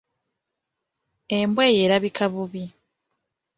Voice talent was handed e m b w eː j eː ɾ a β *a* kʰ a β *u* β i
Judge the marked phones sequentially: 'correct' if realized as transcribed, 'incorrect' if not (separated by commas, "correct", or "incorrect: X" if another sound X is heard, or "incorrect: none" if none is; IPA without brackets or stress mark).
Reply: incorrect: i, correct